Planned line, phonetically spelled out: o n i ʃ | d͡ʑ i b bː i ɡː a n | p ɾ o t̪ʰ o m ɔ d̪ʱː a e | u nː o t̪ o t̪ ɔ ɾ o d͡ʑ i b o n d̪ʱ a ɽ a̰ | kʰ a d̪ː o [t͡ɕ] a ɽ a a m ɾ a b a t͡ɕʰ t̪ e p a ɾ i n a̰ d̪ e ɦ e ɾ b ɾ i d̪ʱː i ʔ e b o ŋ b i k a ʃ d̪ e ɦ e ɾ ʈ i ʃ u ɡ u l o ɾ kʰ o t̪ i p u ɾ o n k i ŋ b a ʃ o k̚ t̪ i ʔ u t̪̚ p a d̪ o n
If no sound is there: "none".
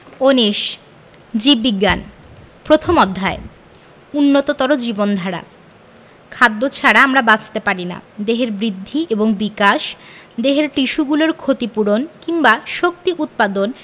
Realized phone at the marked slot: t͡ɕʰ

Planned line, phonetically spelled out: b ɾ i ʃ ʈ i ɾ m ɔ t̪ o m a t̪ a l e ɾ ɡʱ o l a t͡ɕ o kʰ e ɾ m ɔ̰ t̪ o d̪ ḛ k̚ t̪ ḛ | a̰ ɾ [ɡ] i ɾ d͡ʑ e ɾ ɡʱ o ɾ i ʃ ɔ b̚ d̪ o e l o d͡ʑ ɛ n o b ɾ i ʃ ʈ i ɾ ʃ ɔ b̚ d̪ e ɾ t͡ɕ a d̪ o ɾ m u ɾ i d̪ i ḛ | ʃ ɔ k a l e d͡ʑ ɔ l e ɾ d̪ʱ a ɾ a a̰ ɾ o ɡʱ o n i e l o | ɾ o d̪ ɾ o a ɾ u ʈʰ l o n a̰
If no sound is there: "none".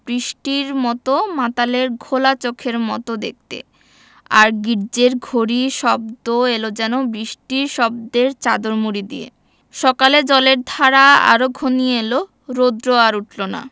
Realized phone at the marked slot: ɡ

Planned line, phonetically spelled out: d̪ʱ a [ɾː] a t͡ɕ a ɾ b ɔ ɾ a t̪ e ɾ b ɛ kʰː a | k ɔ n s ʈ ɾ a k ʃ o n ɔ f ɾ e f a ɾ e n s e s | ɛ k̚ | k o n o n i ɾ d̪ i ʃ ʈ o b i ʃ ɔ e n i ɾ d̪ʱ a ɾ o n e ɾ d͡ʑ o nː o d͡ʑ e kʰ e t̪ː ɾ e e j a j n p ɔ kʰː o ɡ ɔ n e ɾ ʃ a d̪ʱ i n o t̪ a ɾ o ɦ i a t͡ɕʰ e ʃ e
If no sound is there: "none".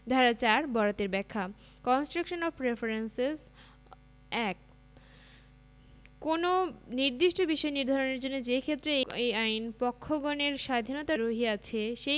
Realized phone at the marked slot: ɾ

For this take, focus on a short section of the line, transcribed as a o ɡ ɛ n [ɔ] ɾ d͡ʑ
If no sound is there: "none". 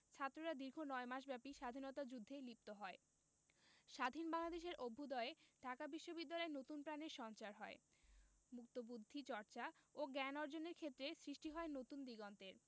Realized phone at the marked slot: ɔ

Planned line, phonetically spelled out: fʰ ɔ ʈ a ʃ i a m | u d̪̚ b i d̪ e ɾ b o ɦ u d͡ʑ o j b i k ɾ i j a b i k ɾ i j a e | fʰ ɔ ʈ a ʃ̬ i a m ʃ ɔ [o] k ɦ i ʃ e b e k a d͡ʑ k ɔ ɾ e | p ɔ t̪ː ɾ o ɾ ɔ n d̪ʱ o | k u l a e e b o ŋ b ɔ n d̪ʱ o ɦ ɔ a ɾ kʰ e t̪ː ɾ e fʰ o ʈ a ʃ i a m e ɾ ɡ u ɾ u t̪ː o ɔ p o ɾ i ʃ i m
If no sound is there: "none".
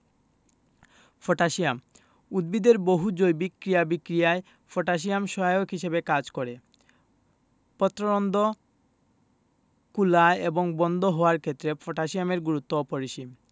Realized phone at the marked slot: o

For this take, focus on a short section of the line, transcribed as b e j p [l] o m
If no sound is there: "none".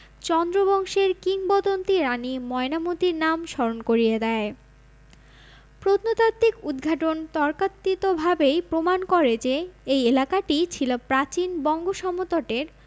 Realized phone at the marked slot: ɾ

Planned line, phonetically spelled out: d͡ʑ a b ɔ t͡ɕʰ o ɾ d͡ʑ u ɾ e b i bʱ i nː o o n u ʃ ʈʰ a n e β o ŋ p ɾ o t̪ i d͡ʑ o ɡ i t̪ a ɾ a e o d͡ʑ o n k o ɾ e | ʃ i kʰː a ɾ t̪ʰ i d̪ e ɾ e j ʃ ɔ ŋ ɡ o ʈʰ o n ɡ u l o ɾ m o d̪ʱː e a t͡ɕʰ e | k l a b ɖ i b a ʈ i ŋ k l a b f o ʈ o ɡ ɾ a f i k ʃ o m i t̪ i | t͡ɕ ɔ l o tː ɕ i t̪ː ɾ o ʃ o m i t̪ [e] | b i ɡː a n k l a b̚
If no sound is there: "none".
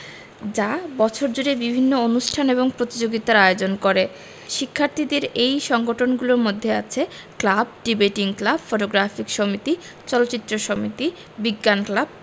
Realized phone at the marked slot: i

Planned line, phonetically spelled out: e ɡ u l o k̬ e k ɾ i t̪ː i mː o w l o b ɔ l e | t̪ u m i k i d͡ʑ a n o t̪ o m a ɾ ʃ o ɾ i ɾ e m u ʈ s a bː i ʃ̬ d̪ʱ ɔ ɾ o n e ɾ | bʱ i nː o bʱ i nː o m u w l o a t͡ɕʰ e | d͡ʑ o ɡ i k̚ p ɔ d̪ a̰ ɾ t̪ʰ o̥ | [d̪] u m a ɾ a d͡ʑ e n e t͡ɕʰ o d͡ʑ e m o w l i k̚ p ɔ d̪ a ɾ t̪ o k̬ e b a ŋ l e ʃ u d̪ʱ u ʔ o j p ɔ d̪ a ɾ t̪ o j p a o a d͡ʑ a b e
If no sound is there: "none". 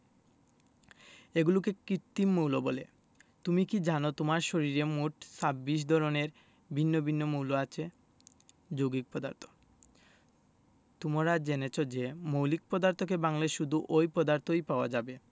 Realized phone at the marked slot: t̪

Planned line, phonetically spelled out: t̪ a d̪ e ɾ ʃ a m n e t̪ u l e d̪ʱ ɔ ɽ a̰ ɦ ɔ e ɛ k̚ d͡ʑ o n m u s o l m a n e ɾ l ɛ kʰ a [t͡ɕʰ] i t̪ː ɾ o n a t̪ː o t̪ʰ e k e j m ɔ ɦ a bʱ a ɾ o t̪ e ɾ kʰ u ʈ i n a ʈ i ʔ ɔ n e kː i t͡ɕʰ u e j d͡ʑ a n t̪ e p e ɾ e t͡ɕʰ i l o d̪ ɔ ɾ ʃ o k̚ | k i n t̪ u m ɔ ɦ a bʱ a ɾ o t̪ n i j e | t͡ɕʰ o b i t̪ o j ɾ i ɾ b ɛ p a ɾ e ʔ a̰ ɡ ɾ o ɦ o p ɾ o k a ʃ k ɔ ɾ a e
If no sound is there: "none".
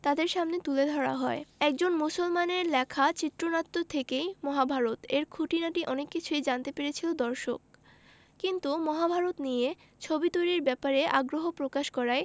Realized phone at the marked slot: t͡ɕ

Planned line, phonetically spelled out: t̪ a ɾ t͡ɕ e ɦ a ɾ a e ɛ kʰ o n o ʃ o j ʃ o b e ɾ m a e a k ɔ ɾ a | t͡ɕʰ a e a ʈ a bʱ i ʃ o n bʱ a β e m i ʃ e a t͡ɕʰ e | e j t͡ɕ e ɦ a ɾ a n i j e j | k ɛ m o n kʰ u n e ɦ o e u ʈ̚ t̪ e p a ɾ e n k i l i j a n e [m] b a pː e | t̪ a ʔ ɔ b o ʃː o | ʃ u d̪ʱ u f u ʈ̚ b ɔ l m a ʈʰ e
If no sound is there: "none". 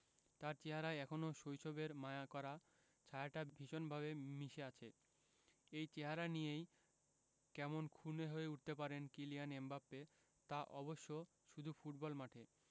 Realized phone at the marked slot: m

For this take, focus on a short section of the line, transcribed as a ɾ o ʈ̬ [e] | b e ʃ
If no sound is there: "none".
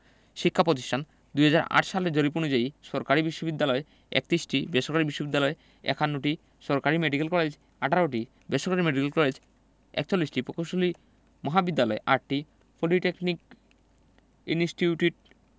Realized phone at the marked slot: i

